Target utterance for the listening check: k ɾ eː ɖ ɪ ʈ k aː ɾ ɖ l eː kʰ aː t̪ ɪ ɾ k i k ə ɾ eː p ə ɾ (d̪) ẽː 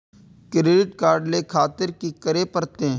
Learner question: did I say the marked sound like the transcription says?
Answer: no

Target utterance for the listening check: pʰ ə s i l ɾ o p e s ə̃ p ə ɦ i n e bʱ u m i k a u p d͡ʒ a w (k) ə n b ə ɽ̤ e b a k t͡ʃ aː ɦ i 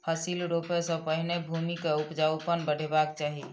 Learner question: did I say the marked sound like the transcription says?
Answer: no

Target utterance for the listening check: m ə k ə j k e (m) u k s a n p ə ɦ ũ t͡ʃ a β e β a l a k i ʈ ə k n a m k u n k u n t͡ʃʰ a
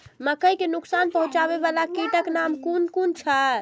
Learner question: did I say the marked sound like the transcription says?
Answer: no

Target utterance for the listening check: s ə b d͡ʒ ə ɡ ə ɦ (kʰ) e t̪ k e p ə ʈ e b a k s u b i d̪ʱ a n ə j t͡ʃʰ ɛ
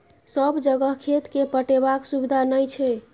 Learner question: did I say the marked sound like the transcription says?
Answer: yes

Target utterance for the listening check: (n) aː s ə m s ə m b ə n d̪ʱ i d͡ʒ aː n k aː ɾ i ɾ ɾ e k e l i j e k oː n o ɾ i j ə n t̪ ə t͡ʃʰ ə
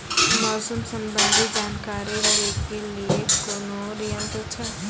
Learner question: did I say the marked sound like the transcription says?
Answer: no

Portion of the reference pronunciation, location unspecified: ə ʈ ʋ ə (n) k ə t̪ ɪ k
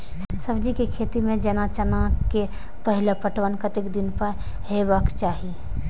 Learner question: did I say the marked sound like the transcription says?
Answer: yes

